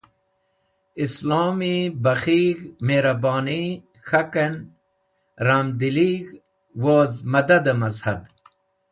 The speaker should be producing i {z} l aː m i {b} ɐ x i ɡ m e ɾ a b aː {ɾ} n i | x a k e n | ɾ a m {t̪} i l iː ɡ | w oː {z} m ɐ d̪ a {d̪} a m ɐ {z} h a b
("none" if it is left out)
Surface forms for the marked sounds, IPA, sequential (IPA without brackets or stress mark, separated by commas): s, b, none, d̪, z, d̪, z